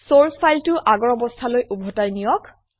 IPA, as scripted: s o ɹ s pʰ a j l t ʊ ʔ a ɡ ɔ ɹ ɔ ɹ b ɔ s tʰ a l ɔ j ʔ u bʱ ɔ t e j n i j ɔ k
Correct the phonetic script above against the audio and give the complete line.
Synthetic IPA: s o ɹ s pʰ a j l t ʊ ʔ a ɡ ɔ ɹ ɔ b ɔ s tʰ a l o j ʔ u bʱ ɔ t a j n i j ɔ k